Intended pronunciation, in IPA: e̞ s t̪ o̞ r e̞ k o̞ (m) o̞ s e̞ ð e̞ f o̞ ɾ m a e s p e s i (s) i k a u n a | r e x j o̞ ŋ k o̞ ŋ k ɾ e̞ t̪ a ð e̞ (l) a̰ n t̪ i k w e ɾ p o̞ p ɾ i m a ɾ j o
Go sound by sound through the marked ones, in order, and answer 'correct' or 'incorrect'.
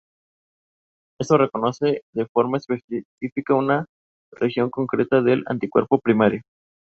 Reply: incorrect: n, incorrect: f, correct

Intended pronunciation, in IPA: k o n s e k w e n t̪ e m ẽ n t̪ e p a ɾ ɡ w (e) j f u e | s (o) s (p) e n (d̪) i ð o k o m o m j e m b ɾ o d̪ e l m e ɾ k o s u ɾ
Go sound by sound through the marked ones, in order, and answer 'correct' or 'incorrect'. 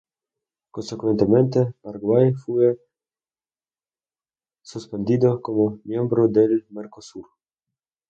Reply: incorrect: a, incorrect: u, correct, correct

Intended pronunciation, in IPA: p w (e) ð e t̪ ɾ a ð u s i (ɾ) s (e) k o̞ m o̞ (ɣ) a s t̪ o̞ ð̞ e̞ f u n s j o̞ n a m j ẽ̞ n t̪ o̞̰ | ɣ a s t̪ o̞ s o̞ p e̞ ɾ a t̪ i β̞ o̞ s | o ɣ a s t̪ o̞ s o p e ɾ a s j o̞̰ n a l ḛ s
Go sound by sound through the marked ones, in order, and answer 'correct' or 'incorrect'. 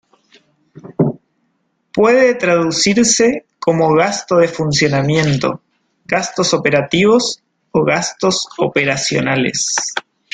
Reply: correct, correct, correct, correct

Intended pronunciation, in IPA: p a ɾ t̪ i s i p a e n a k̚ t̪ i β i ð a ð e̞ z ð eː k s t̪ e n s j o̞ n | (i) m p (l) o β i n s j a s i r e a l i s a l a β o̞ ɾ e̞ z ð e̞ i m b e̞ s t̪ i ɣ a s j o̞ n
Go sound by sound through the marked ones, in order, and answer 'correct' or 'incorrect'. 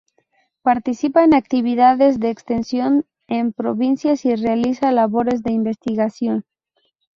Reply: incorrect: e, incorrect: ɾ

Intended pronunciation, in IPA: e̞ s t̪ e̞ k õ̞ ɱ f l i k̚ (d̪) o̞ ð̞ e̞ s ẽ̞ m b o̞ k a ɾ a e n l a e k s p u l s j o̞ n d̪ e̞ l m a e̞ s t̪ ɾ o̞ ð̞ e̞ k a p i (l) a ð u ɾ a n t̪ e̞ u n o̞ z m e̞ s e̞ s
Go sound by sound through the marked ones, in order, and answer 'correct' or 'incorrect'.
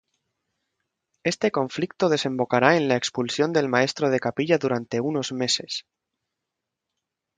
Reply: incorrect: t̪, incorrect: ʎ

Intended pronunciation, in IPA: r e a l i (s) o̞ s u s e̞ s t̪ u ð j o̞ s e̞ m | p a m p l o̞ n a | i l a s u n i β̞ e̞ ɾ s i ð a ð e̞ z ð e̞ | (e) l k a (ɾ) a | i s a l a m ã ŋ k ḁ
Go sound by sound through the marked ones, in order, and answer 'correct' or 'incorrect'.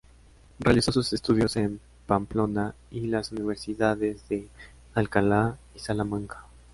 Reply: correct, incorrect: a, incorrect: l

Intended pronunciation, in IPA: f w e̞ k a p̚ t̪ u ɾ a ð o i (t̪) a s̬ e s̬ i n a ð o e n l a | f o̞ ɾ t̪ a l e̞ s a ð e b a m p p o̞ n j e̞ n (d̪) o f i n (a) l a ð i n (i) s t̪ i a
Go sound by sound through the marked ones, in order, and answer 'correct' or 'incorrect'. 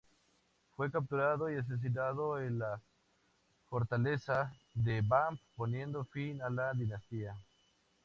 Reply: incorrect: none, correct, correct, incorrect: a

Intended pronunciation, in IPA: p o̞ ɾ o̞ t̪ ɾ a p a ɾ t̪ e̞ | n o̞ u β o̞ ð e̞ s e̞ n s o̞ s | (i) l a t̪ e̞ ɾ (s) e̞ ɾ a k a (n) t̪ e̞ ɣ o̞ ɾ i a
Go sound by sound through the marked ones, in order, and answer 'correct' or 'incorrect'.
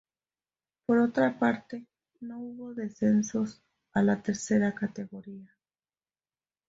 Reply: incorrect: a, correct, incorrect: none

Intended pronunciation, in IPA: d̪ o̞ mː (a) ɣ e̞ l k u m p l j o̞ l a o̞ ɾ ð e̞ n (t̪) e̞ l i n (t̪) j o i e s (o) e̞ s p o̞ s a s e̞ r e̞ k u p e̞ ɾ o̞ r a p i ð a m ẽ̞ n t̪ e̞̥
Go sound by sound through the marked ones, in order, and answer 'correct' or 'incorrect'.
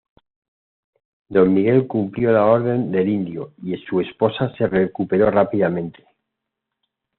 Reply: incorrect: i, incorrect: d̪, incorrect: d̪, incorrect: u

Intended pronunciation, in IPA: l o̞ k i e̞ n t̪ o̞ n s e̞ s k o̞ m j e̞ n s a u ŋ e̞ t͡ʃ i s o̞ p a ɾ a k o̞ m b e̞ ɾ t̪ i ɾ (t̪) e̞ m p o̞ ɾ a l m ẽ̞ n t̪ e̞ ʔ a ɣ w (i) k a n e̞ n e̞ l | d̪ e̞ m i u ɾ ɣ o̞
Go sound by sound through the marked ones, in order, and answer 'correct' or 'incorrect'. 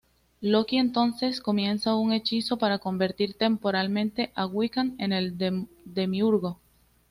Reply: correct, correct

